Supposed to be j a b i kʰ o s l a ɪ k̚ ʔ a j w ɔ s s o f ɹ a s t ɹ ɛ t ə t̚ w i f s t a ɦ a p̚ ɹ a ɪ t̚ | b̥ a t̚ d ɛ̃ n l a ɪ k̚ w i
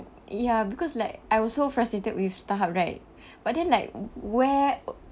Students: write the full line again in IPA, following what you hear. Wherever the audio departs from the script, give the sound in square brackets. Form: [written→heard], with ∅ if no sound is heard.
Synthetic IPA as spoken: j a b i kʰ [o→ɔ] s l a ɪ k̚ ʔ a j w ɔ s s o f ɹ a s t ɹ [ɛ→e] t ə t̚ w i f s t a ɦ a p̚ ɹ a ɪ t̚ | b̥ a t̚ d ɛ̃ n l a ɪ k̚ w [i→ɛ]